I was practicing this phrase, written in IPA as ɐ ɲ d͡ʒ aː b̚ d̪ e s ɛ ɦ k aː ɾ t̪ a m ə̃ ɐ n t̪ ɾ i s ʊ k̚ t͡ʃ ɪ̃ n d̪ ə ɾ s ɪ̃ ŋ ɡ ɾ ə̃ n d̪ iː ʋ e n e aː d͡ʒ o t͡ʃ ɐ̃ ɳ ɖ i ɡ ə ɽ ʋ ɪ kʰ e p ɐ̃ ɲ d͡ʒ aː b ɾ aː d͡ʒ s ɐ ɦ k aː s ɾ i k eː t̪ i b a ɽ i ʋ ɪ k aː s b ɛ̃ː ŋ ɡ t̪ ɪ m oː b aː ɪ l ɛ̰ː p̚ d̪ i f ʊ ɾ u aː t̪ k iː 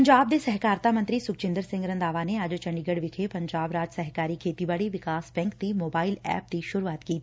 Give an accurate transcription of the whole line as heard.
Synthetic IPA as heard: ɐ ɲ d͡ʒ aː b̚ d̪ e s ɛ ɦ k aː ɾ t̪ a m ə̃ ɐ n t̪ ɾ i s ʊ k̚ t͡ʃ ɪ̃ n d̪ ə ɾ s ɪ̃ ŋ ɡ ɾ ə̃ n d̪ aː ʋ a n e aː d͡ʒ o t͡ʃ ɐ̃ ɳ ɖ i ɡ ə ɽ ʋ ɪ kʰ e p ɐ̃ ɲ d͡ʒ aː b ɾ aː d͡ʒ s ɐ ɦ k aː ɾ i kʰ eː t̪ i b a ɽ i ʋ ɪ k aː s b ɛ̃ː ŋ k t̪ i m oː b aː ɪ l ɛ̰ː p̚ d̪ i ʃ ʊ ɾ u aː t̪ k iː